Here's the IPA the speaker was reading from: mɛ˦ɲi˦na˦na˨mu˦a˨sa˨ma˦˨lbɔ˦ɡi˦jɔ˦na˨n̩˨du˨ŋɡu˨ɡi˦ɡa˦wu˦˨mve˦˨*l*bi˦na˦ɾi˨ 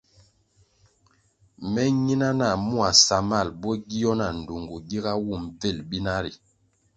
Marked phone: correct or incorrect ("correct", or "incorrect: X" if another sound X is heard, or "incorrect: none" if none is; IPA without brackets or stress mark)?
correct